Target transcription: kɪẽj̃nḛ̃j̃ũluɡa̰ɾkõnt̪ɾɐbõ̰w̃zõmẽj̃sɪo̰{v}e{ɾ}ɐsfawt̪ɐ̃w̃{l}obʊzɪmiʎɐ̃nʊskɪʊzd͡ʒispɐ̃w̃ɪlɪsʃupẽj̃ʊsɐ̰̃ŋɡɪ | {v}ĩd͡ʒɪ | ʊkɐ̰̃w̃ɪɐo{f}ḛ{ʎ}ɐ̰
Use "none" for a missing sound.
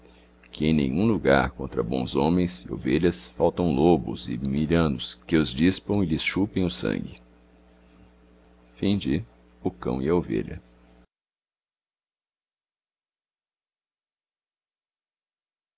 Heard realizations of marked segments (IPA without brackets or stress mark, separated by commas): v, ʎ, l, f, v, ʎ